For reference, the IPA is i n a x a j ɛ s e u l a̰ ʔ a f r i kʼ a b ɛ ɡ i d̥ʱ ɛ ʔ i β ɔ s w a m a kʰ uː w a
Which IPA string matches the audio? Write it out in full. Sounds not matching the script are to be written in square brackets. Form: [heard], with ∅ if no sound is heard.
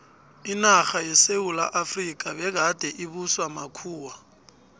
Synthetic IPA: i n a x a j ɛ s e u l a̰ ʔ a f r i kʼ a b ɛ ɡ [a] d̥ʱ ɛ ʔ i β [u] s w a m a kʰ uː w a